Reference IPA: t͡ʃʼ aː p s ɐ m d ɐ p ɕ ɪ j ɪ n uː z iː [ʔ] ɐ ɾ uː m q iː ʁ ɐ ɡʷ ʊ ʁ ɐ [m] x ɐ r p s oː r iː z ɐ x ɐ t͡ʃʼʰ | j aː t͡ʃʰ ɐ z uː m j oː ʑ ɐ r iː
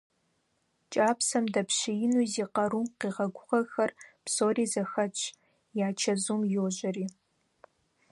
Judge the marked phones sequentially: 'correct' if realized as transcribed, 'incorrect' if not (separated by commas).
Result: incorrect, incorrect